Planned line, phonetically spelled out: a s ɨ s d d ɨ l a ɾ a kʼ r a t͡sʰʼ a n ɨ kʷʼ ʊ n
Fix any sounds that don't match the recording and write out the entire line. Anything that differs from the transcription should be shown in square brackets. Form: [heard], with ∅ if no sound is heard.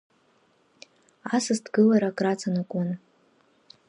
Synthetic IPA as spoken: a s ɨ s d [ɡ] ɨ l a ɾ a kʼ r a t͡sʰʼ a n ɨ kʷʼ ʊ n